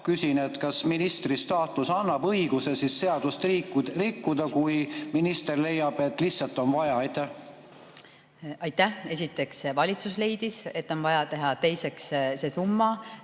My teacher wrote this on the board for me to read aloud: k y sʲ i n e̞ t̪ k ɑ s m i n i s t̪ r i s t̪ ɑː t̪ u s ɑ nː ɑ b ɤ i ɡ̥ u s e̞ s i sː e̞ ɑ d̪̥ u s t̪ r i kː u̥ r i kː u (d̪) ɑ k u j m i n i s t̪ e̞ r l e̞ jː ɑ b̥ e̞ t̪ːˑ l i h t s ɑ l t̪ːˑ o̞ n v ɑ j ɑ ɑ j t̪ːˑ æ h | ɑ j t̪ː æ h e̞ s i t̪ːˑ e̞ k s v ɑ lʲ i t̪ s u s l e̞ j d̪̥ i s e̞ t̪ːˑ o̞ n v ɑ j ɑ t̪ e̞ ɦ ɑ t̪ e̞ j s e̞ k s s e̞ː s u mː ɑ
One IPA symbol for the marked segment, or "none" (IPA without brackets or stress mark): d̪